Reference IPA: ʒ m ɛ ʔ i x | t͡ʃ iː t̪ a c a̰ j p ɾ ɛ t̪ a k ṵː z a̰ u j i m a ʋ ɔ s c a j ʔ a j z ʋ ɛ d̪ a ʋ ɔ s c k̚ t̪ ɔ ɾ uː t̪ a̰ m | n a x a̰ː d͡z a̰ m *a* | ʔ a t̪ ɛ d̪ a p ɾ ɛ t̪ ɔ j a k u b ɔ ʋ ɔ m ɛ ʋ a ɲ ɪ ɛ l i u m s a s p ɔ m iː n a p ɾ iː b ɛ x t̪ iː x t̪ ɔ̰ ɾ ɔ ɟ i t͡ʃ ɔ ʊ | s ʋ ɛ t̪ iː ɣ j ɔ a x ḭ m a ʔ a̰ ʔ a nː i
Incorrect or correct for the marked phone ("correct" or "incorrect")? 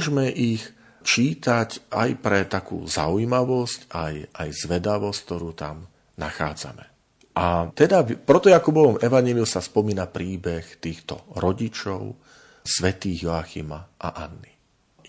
incorrect